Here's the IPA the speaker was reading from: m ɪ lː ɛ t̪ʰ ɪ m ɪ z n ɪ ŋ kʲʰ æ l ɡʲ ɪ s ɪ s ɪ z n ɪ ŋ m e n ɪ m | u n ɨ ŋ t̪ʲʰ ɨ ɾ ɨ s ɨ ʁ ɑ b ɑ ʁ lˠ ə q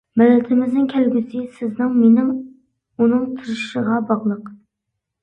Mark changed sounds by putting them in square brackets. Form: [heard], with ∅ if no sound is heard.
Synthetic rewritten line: m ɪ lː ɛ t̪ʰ ɪ m ɪ z n ɪ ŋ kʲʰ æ l ɡʲ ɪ s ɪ s ɪ z n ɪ ŋ m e n ɪ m | u n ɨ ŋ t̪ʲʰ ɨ ɾ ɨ [ʃ] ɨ ʁ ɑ b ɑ ʁ lˠ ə q

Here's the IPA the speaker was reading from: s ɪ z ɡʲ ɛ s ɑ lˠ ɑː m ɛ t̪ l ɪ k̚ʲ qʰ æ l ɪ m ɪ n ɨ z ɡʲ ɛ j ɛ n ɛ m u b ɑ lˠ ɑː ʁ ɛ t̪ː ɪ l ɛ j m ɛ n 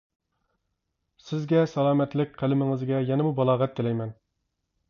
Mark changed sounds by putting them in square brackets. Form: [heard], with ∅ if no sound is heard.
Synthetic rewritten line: s ɪ z ɡʲ ɛ s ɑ lˠ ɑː m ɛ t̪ l ɪ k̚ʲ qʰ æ l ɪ m ɪ [ŋ] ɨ z ɡʲ ɛ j ɛ n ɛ m u b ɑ lˠ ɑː ʁ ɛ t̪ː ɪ l ɛ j m ɛ n

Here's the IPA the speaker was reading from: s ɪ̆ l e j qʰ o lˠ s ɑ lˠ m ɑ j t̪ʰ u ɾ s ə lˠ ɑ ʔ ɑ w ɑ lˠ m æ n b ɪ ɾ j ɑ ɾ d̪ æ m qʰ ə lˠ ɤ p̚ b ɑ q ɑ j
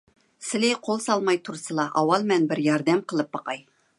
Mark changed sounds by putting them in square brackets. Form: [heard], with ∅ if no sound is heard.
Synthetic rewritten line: s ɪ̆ l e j qʰ o lˠ s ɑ lˠ m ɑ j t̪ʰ u ɾ s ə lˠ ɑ ʔ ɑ w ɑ lˠ m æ n b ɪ ɾ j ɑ ɾ d̪ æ m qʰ ə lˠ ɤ p̚ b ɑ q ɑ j

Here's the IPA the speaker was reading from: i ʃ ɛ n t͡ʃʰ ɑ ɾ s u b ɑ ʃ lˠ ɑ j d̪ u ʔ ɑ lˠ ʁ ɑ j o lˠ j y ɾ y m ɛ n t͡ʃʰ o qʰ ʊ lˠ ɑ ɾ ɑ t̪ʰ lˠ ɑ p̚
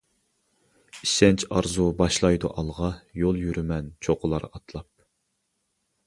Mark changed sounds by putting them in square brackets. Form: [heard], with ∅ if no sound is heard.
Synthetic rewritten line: i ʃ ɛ n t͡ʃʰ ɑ ɾ [z] u b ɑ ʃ lˠ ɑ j d̪ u ʔ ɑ lˠ ʁ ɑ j o lˠ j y ɾ y m ɛ n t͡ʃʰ o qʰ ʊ lˠ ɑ ɾ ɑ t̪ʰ lˠ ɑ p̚

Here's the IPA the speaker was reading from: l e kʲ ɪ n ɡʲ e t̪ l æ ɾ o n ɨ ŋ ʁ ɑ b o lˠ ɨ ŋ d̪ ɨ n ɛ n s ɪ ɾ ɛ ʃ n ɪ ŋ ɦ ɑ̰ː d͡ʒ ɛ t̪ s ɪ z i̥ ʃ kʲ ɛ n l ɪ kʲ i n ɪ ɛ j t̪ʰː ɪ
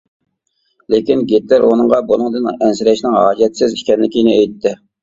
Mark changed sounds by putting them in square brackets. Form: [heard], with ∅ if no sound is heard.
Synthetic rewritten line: l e kʲ [i] n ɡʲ e t̪ l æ ɾ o n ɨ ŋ ʁ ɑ b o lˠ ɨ ŋ d̪ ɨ n ɛ n s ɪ ɾ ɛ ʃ n ɪ ŋ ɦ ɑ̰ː d͡ʒ ɛ t̪ s ɪ z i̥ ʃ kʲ ɛ n l ɪ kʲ i n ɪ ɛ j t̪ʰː ɪ

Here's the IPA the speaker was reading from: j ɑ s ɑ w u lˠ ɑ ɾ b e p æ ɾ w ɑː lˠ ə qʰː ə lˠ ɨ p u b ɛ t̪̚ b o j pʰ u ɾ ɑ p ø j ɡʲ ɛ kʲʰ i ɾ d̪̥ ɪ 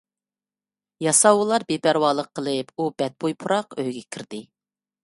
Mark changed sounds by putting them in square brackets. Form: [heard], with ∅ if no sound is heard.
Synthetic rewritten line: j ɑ s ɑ w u lˠ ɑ ɾ b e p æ ɾ w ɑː lˠ ə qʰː ə lˠ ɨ p u b ɛ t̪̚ b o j pʰ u ɾ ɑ [q] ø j ɡʲ ɛ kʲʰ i ɾ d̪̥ ɪ

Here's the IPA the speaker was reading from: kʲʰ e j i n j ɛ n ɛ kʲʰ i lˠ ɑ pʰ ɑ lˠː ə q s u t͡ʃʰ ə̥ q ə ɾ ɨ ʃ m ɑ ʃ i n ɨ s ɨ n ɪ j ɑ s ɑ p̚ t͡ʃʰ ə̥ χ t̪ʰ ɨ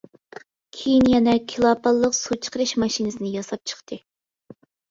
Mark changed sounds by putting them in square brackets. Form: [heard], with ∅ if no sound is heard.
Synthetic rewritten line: kʲʰ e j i n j ɛ n ɛ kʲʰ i lˠ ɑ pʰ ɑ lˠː ə q s u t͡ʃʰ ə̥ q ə ɾ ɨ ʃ m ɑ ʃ i n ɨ s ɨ n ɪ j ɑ s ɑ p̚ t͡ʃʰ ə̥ χ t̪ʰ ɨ

